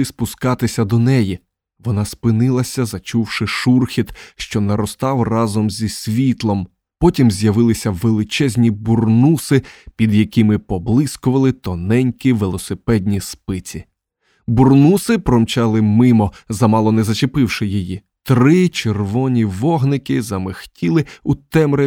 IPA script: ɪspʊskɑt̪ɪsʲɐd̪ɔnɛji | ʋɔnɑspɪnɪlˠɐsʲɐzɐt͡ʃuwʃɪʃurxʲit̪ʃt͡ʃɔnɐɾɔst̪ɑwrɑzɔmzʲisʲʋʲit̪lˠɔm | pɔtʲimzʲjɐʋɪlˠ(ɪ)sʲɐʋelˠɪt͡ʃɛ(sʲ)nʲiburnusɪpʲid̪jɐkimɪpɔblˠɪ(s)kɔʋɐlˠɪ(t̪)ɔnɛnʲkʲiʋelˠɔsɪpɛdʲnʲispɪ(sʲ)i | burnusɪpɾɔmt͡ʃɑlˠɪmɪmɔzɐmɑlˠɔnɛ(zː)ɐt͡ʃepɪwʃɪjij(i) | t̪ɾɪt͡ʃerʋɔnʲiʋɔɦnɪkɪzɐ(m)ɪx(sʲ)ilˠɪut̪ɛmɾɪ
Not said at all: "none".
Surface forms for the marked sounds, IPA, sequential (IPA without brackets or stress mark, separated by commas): ɪ, zʲ, s, t̪, t͡sʲ, z, i, m, tʲ